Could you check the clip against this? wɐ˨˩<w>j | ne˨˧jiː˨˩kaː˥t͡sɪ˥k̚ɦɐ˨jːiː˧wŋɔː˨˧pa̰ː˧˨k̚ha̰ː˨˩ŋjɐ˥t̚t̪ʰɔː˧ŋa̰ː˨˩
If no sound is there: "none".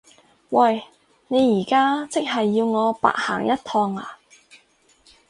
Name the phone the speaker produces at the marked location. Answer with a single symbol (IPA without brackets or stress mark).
none